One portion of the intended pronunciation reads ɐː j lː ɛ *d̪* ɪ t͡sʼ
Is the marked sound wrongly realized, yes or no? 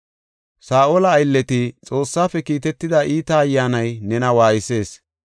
yes